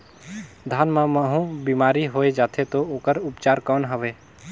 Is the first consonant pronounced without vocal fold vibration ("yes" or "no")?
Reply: no